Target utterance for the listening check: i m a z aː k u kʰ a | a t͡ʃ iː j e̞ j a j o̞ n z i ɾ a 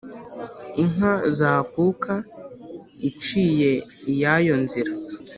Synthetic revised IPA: i ŋ a z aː k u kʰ a | i t͡ʃ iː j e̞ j a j o̞ n z i ɾ a